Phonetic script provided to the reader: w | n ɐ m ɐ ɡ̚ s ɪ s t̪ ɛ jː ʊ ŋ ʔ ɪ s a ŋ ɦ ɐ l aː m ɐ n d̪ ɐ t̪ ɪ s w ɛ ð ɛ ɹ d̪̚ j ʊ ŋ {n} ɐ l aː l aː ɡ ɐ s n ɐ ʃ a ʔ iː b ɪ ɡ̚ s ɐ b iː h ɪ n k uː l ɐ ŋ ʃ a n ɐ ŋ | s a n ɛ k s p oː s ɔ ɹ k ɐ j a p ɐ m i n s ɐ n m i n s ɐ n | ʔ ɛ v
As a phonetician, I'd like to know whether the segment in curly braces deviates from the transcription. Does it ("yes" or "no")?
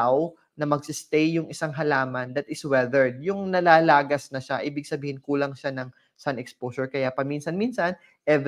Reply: no